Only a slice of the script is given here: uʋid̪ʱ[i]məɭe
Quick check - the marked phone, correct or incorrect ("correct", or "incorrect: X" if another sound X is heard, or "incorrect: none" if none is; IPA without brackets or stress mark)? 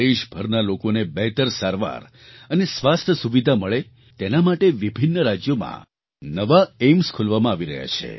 incorrect: a